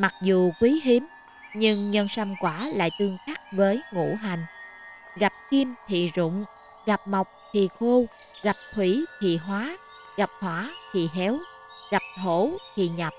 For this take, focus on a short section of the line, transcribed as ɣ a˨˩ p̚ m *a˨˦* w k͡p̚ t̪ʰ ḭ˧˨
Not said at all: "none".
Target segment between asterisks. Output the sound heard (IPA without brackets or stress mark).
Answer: a˨˩